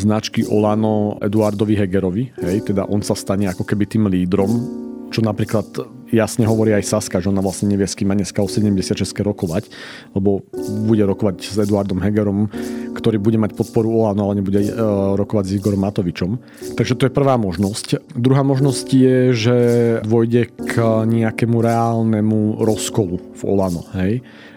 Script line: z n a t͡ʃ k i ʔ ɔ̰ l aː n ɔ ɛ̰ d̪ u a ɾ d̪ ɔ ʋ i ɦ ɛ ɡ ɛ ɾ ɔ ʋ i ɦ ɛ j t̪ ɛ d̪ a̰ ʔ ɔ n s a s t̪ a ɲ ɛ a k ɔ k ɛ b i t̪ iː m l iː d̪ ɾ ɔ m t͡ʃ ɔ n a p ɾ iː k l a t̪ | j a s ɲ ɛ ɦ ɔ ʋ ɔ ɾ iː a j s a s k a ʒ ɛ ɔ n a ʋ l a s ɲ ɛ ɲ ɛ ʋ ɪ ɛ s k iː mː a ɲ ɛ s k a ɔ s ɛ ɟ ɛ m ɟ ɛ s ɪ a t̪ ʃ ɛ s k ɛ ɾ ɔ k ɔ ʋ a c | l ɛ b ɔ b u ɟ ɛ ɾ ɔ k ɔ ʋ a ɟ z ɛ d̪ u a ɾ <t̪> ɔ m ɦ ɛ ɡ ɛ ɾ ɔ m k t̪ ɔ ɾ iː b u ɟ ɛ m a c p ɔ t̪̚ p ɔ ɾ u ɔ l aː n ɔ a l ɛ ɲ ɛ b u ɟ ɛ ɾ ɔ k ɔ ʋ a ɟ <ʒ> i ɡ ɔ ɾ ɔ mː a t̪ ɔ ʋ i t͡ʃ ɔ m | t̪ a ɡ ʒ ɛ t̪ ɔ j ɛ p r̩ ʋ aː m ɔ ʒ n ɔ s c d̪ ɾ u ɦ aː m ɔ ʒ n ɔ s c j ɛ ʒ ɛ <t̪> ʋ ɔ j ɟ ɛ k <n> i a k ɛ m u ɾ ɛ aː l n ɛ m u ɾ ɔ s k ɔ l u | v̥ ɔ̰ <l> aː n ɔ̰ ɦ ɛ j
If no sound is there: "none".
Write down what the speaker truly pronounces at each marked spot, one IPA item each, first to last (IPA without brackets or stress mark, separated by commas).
d̪, z, d̪, ɲ, l